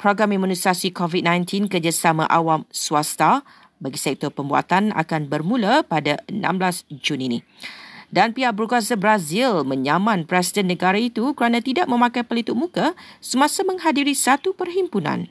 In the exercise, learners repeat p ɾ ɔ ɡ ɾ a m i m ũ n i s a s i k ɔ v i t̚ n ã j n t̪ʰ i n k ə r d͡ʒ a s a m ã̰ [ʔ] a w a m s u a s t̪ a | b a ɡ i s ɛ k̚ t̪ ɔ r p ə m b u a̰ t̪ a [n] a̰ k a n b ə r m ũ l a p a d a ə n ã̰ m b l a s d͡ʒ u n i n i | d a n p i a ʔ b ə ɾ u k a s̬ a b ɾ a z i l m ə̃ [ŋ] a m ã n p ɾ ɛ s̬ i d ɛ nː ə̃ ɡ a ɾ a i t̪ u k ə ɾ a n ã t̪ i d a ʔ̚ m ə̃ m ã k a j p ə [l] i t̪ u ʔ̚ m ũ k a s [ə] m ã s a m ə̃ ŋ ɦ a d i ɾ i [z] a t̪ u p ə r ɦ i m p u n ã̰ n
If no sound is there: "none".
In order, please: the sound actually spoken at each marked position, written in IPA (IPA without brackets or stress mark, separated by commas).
ʔ, n, ɲ, l, ə, s